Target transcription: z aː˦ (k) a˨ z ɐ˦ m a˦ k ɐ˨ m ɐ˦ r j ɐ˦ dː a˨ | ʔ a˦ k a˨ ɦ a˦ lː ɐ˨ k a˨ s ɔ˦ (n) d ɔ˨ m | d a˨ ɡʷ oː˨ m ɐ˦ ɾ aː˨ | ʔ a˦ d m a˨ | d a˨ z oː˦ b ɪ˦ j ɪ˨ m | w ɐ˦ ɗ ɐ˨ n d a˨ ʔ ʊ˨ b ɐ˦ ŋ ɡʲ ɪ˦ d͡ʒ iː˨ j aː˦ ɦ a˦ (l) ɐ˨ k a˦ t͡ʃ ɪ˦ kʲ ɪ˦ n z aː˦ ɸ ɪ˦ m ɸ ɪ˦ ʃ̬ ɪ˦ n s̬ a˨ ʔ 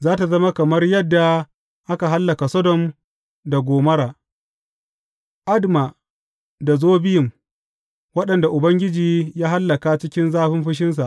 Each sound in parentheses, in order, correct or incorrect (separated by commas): incorrect, incorrect, incorrect